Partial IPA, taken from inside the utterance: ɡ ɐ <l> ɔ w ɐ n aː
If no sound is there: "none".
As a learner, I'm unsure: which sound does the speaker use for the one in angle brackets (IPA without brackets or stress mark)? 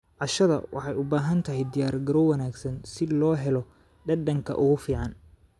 ɾ